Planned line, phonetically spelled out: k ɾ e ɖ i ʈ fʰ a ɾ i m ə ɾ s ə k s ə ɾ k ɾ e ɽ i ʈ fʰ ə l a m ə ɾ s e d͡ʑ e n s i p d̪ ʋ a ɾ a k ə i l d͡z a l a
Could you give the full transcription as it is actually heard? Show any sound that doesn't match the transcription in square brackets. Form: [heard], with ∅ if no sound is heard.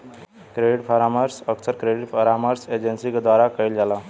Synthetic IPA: k ɾ e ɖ i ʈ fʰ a ɾ [a] m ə ɾ s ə k s ə ɾ k ɾ e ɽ i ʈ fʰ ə [ɾ] a m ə ɾ s e d͡ʑ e n s i [k] d̪ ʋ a ɾ a k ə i l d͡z a l a